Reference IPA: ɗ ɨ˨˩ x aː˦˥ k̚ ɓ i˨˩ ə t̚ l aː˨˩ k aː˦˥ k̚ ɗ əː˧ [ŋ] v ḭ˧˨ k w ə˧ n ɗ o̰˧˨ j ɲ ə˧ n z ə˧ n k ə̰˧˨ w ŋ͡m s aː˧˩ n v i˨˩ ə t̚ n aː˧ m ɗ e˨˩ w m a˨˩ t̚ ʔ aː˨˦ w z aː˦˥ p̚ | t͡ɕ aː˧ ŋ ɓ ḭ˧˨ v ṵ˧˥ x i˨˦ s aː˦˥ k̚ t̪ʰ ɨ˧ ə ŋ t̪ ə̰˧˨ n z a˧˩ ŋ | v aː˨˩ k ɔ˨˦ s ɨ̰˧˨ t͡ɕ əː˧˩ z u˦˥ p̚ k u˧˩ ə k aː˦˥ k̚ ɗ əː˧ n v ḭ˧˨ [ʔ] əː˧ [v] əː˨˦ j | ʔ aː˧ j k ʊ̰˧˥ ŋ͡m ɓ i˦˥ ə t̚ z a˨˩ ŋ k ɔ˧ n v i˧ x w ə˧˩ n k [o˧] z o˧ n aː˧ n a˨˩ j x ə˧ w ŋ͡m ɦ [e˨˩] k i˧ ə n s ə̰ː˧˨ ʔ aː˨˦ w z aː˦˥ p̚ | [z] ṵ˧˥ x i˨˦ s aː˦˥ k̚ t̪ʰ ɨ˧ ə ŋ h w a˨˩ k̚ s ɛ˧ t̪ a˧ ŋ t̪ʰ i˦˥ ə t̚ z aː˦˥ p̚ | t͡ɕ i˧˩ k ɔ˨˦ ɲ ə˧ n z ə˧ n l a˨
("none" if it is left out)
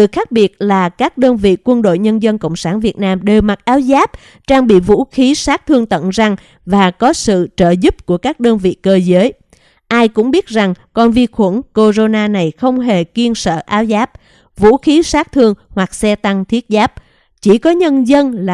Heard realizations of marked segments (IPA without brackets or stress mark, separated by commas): n, k, z, o˧, e˨˩, v